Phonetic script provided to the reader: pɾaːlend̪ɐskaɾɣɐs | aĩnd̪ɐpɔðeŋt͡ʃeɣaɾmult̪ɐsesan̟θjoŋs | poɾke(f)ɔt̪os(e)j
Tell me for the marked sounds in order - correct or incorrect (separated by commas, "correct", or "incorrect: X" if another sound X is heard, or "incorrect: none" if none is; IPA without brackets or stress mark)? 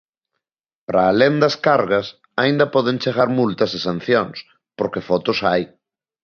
correct, incorrect: a